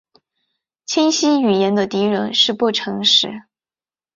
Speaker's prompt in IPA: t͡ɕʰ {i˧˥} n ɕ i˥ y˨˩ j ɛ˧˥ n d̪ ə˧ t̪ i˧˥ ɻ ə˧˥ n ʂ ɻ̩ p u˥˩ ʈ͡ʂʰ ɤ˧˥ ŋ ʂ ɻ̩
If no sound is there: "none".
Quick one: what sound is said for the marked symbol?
i˥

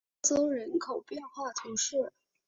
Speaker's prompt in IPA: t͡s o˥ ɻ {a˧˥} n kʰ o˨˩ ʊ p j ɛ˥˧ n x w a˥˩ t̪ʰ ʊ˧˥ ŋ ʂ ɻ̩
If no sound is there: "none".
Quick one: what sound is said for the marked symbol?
ə˧˥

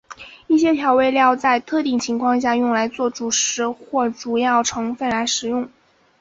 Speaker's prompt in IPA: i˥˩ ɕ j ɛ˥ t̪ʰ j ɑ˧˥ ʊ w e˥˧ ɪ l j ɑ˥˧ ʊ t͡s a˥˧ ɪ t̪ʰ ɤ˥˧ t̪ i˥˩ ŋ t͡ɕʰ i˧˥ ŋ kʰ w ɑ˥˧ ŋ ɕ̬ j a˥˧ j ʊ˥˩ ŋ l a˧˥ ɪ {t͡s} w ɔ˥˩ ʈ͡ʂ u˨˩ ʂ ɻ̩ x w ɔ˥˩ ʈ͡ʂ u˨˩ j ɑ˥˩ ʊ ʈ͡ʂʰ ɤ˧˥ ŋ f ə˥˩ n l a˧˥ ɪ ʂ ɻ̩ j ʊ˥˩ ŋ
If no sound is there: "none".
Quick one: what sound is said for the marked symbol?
t͡s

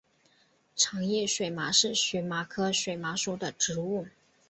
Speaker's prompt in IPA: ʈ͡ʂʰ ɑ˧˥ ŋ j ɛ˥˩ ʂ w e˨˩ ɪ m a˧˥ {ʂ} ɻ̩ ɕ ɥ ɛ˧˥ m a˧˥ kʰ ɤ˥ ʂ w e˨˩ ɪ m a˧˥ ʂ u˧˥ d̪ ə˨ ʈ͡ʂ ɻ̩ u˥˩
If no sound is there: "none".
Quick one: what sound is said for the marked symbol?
ʂ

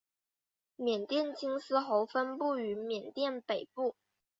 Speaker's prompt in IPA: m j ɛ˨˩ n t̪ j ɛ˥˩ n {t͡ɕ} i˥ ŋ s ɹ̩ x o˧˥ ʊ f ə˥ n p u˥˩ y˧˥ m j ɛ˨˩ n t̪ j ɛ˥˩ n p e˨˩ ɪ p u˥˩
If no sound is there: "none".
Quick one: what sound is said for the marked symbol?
t͡ɕ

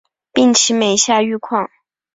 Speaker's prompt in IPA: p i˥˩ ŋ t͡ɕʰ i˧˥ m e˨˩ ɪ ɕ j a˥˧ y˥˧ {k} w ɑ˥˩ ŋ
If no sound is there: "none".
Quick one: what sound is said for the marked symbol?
kʰ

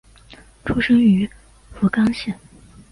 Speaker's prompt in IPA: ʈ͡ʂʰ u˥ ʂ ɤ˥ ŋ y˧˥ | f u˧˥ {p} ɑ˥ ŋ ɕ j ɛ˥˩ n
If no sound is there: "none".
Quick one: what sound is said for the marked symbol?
k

